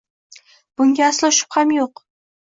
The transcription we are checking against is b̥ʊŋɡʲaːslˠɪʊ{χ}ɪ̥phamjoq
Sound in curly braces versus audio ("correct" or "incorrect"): incorrect